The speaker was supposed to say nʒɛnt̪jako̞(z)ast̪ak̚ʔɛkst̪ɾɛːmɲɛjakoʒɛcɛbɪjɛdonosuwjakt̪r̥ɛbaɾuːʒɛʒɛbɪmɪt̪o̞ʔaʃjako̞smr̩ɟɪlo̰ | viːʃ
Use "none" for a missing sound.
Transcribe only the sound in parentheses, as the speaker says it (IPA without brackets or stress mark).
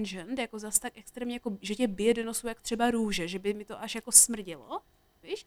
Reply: z